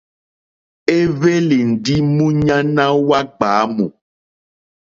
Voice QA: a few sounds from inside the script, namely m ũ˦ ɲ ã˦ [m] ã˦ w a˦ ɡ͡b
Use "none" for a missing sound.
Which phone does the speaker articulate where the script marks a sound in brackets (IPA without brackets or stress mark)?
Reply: n